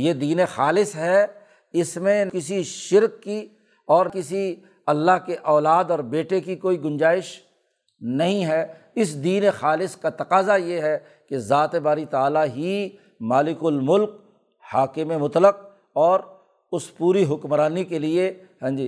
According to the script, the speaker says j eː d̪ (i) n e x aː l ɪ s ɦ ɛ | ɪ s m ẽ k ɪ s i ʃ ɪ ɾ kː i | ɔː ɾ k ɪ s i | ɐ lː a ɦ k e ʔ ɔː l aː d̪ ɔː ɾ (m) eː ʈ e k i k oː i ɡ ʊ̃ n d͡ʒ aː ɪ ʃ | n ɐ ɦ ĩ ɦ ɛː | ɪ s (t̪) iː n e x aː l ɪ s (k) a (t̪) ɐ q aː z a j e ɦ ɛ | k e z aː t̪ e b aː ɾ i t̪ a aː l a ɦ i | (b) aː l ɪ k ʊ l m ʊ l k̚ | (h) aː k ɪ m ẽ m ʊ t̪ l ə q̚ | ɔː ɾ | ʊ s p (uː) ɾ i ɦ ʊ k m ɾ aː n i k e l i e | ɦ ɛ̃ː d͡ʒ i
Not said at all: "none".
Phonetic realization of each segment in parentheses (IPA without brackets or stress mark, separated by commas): iː, b, d̪, k, t̪, m, h, uː